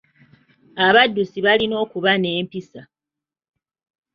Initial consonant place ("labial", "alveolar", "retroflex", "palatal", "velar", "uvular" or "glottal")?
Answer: labial